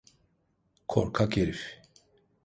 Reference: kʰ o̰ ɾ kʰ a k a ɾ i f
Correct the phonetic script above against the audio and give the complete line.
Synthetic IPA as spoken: kʰ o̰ ɾ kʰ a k e ɾ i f